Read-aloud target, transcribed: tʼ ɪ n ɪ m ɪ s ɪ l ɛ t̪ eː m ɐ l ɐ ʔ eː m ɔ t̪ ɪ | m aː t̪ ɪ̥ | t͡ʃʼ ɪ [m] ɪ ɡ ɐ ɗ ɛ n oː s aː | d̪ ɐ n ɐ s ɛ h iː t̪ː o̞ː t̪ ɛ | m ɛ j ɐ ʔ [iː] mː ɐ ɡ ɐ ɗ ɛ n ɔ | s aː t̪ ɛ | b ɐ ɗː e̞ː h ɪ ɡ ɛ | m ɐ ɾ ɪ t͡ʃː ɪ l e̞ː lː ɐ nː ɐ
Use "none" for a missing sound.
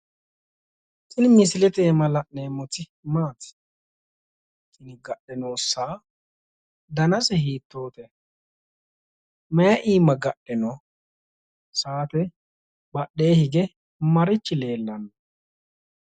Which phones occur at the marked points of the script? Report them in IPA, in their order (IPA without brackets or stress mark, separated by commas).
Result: n, iː